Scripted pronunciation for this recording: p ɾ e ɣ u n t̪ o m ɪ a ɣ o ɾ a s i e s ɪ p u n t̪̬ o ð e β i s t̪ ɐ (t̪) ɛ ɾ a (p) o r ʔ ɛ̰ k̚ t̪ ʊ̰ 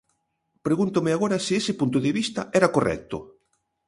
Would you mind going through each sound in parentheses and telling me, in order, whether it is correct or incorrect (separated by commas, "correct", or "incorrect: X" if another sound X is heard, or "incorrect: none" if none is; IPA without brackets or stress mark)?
incorrect: none, incorrect: k